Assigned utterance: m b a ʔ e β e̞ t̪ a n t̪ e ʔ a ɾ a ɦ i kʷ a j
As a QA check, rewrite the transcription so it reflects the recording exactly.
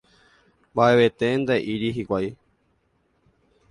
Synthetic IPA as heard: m b a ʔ e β e̞ t̪ e n d̪ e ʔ i ɾ i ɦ i kʷ a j